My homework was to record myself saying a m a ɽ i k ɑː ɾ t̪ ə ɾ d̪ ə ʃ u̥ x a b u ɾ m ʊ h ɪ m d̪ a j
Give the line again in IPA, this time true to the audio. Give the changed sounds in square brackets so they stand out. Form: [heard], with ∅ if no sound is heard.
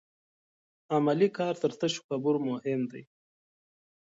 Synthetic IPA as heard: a m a [l] i k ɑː ɾ t̪ ə ɾ [t̪] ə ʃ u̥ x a b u ɾ m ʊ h ɪ m d̪ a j